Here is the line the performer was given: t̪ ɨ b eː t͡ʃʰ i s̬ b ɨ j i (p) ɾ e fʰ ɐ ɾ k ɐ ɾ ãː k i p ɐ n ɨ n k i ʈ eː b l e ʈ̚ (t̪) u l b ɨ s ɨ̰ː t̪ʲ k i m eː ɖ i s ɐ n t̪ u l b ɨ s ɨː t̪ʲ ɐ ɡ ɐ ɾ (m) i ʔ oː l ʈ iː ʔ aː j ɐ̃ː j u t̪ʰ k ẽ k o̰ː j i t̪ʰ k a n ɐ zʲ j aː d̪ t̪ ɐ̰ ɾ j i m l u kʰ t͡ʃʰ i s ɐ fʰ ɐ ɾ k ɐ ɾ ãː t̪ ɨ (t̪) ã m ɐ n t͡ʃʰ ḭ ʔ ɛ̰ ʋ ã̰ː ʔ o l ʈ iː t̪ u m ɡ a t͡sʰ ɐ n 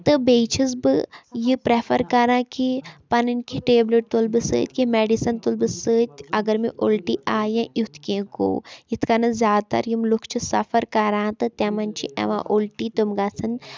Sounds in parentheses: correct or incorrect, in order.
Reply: correct, correct, correct, correct

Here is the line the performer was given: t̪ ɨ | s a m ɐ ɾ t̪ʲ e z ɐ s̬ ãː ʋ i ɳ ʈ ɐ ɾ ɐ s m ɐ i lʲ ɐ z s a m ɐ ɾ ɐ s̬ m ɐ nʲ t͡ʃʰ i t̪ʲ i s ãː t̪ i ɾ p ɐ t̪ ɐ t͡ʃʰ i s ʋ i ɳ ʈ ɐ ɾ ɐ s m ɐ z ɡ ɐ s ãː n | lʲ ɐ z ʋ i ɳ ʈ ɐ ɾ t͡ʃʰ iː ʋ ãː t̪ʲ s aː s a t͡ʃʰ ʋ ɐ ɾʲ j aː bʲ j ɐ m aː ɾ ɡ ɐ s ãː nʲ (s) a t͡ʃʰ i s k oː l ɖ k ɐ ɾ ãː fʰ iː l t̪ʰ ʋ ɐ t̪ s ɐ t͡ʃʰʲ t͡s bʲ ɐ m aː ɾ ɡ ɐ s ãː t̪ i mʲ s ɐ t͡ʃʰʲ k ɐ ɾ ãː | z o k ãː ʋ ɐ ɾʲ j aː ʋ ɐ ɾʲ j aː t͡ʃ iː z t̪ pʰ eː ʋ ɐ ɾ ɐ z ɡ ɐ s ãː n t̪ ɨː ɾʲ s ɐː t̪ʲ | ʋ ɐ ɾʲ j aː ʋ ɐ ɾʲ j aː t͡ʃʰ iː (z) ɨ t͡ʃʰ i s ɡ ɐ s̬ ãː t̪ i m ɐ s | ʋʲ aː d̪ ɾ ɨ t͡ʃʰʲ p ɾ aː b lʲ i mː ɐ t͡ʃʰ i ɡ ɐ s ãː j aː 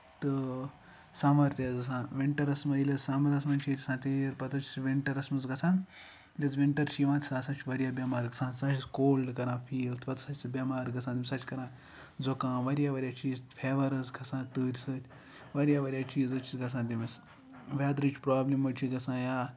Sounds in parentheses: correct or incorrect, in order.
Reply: correct, correct

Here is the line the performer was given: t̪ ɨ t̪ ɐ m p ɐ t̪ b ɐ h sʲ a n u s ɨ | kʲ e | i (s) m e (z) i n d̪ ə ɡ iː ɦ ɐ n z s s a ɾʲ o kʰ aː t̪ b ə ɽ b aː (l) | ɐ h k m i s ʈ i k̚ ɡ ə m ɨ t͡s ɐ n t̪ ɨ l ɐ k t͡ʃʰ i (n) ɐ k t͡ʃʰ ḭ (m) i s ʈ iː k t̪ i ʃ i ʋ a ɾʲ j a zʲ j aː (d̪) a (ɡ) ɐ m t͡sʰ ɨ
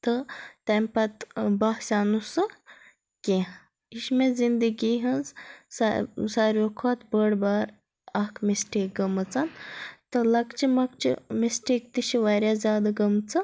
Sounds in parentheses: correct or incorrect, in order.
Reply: incorrect, correct, incorrect, incorrect, correct, correct, correct

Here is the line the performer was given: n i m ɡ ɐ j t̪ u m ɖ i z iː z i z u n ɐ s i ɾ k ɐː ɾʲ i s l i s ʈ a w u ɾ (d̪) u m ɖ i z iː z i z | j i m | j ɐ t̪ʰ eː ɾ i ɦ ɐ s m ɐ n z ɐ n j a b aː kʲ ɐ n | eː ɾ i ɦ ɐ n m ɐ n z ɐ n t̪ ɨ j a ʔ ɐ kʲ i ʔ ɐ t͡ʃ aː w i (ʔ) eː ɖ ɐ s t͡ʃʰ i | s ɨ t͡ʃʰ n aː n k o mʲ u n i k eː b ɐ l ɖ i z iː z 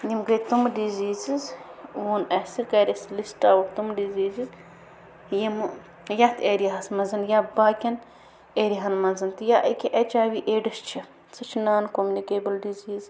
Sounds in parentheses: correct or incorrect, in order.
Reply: incorrect, correct

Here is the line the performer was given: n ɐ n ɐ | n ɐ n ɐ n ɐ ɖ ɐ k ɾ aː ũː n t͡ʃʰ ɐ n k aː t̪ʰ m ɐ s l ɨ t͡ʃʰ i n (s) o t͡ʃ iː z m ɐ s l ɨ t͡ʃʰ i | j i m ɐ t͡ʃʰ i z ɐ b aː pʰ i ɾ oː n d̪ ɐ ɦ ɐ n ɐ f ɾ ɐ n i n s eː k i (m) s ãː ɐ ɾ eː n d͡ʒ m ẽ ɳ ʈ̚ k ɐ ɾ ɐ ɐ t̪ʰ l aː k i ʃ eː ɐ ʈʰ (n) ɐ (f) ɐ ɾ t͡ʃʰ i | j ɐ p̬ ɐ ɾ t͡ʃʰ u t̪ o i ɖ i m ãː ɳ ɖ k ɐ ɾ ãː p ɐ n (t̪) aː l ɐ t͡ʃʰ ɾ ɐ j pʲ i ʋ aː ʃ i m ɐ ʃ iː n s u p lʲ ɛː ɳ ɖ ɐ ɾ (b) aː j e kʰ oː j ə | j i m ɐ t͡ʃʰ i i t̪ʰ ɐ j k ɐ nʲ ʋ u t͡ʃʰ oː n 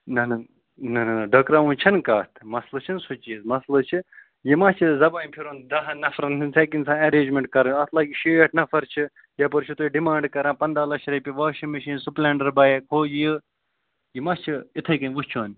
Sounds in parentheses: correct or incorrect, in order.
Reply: correct, incorrect, correct, correct, incorrect, correct

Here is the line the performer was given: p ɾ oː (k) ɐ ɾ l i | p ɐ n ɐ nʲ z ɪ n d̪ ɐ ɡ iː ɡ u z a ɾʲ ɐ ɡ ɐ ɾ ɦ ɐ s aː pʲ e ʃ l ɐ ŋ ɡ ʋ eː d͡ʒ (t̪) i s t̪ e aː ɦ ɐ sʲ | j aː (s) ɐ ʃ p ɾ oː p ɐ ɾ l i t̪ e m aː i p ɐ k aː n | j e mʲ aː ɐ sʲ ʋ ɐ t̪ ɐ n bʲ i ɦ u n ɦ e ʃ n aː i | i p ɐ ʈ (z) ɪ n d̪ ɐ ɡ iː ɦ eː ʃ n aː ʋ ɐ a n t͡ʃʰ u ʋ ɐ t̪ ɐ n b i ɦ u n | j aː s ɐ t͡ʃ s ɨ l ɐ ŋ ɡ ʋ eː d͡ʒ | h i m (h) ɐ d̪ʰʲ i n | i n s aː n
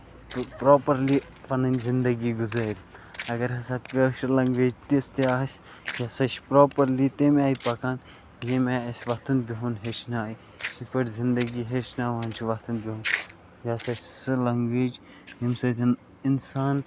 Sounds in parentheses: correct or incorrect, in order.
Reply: incorrect, correct, correct, correct, incorrect

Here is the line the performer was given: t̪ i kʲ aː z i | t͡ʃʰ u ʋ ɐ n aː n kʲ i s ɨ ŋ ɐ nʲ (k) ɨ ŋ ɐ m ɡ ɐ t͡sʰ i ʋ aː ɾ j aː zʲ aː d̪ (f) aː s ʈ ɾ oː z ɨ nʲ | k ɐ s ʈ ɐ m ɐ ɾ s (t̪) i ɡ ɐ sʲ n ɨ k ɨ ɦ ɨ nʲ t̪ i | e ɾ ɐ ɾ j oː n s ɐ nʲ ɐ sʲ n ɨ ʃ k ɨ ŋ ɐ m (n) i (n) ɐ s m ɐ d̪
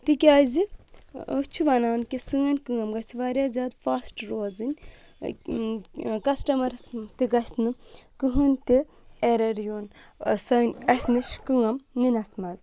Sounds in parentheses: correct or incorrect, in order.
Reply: correct, correct, correct, correct, correct

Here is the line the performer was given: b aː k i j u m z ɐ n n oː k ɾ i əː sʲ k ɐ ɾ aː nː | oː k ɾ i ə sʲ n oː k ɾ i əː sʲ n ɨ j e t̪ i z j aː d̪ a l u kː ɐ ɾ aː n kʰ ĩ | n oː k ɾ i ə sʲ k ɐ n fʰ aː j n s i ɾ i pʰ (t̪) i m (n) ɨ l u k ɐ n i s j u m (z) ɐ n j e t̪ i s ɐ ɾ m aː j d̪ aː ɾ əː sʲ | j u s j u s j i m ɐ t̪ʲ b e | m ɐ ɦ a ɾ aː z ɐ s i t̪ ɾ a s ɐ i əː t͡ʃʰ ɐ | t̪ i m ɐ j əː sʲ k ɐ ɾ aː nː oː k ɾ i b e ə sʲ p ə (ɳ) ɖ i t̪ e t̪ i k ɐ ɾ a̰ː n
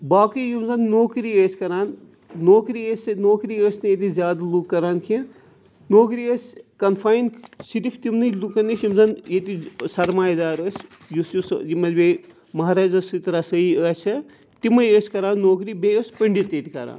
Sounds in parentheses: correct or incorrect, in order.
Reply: correct, correct, correct, correct

